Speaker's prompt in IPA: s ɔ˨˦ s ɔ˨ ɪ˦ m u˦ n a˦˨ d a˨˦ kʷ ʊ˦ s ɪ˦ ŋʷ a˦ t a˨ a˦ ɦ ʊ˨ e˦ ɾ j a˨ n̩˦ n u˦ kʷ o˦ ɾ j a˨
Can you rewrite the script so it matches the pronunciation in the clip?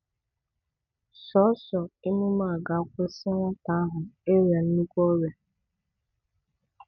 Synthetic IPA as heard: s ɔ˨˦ s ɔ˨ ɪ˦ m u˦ m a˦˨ ɡ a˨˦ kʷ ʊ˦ s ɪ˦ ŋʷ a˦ t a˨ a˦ ɦ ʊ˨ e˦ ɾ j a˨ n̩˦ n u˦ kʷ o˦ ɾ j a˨

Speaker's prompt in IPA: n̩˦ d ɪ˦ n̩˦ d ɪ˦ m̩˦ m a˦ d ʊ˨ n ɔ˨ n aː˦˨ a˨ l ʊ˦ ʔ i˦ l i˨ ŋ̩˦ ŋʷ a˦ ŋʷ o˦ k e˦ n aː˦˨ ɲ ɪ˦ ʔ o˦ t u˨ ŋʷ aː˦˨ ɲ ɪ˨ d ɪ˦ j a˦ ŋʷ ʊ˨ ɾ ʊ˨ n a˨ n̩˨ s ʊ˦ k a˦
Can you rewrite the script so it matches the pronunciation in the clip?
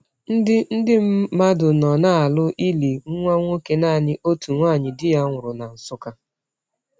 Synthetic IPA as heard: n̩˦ d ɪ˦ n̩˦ d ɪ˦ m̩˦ m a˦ d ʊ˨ n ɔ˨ n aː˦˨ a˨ l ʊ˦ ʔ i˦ l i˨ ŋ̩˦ ŋʷ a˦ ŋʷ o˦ k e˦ n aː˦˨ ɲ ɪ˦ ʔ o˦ t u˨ ŋʷ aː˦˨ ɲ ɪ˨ d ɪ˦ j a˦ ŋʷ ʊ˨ ɾ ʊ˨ n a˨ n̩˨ s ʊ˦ k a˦

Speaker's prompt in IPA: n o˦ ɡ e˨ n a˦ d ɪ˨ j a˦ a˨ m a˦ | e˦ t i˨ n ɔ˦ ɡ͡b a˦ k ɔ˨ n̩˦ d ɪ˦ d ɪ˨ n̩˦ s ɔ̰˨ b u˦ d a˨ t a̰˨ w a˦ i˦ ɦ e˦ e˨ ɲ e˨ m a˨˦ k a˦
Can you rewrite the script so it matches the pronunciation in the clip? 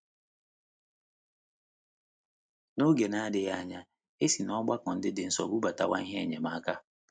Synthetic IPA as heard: n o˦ ɡ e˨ n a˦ d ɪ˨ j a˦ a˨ ɲ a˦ | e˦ s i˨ n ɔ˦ ɡ͡b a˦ k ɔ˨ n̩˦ d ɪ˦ d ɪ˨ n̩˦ s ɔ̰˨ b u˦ b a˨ t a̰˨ w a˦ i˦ ɦ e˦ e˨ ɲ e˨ m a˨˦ k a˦

